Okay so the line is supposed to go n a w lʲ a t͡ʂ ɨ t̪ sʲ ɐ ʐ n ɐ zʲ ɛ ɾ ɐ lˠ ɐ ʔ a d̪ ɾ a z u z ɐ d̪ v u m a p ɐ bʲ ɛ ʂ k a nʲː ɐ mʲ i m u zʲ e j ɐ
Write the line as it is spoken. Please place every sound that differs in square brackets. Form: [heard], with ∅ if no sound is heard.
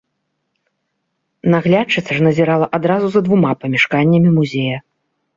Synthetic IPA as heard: n a [ɣ] lʲ a t͡ʂ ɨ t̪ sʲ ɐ ʐ n ɐ zʲ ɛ ɾ [a] lˠ ɐ ʔ a d̪ ɾ a z u z ɐ d̪ v u m a p ɐ [mʲ] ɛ ʂ k a nʲː ɐ mʲ i m u zʲ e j ɐ